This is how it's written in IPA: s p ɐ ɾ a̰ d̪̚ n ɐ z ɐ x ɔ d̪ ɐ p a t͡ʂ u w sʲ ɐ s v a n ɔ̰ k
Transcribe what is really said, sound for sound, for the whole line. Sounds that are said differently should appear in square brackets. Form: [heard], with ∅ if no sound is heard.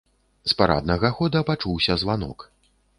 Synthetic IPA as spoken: s p [a] ɾ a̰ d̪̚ n ɐ [ɣ] ɐ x ɔ d̪ ɐ p a t͡ʂ u w sʲ ɐ [z] v a n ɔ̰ k